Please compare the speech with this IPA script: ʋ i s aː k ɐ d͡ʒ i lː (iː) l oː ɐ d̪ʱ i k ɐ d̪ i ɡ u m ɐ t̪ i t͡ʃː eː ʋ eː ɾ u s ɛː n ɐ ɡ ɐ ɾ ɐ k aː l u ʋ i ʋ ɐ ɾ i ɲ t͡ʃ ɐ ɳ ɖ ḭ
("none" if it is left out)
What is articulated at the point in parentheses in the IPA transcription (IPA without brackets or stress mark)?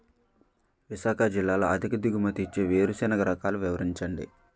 aː